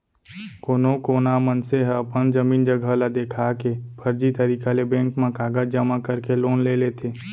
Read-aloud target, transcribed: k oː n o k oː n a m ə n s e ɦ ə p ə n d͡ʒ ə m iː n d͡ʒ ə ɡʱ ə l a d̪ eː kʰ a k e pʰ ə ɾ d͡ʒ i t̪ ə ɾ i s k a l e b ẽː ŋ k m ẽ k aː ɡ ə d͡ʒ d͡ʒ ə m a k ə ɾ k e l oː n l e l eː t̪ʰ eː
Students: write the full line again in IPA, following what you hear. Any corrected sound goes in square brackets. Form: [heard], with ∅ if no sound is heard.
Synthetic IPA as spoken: k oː n o k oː n a m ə n s e ɦ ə p ə n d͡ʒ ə m iː n d͡ʒ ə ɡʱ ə l a d̪ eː kʰ a k e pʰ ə ɾ d͡ʒ i t̪ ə ɾ i [∅] k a l e b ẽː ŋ k m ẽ k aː ɡ ə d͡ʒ d͡ʒ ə m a k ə ɾ k e l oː n l e l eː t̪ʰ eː